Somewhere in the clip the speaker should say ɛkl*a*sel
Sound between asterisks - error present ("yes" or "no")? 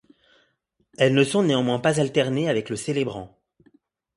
yes